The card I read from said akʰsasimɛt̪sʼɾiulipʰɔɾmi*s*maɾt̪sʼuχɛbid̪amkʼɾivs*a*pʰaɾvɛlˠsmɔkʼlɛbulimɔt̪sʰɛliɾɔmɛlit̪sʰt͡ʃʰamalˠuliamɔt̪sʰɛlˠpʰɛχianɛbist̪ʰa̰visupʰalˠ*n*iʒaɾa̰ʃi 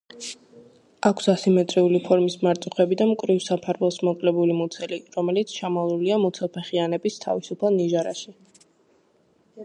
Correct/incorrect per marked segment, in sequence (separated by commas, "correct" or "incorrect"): correct, correct, correct